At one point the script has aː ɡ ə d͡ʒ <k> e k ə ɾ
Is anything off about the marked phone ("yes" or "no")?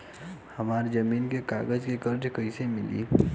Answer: no